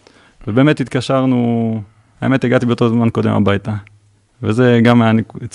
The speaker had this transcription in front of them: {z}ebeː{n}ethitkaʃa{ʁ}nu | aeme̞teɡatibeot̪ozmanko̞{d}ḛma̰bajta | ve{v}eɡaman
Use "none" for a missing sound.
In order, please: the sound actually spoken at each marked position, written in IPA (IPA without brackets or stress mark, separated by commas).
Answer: v, m, ʁ, d, z